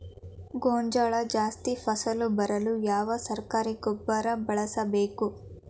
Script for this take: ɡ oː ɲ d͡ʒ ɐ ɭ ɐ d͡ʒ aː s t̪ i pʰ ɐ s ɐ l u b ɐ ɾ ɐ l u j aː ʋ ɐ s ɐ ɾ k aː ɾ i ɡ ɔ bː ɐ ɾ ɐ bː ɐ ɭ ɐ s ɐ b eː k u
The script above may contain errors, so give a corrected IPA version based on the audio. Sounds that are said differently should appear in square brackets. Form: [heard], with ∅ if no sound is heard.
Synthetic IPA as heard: ɡ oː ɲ d͡ʒ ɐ ɭ ɐ d͡ʒ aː s t̪ i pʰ ɐ s ɐ l u b ɐ ɾ ɐ l u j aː ʋ ɐ s ɐ ɾ k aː ɾ i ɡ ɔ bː ɐ ɾ ɐ [b] ɐ ɭ ɐ s ɐ b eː k u